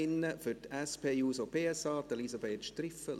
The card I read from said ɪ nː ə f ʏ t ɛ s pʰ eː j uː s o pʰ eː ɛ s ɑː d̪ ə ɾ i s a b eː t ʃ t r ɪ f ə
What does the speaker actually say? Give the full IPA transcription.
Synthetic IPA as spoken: ɪ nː ə f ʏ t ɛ s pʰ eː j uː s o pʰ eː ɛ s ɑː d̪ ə l i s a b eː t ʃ t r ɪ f ə